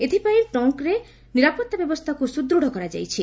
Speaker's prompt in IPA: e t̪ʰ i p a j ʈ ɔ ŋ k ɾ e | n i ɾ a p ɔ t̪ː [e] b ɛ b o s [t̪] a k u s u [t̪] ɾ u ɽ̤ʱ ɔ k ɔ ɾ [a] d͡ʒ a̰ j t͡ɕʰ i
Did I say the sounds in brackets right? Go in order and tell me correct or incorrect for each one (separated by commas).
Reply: incorrect, incorrect, incorrect, correct